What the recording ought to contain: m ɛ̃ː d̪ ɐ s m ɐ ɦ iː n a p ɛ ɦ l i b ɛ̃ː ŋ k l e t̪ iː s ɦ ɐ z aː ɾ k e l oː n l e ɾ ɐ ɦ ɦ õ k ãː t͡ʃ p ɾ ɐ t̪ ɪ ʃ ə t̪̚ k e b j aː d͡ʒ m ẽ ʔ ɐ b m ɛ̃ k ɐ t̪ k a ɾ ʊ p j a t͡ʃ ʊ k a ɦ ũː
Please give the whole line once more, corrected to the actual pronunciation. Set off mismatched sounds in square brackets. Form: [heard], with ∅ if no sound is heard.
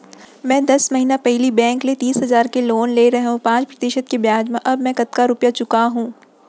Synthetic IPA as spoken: m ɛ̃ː d̪ ɐ s m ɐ ɦ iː n a p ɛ ɦ l i b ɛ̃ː ŋ k l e t̪ iː s ɦ ɐ z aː ɾ k e l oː n l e ɾ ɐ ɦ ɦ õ [p] ãː t͡ʃ p ɾ ɐ t̪ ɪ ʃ ə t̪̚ k e b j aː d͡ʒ m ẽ ʔ ɐ b m ɛ̃ k ɐ t̪ k a ɾ ʊ p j a t͡ʃ ʊ k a ɦ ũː